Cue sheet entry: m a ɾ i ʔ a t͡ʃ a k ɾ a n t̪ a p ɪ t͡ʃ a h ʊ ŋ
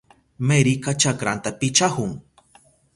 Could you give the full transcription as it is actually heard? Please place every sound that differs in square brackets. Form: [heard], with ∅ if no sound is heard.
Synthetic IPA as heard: m [e] ɾ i [k] a t͡ʃ a k ɾ a n t̪ a p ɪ t͡ʃ a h ʊ ŋ